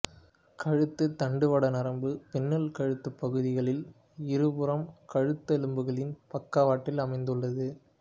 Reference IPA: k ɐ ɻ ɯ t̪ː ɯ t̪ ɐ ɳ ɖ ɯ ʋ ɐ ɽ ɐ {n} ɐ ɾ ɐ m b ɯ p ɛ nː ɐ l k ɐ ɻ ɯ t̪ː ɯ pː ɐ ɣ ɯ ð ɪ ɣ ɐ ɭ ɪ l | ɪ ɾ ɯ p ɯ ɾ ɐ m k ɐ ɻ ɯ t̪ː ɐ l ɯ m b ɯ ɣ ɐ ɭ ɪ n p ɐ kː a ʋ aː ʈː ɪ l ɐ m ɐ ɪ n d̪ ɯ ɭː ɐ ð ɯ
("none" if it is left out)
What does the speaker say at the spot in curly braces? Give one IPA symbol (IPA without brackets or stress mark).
n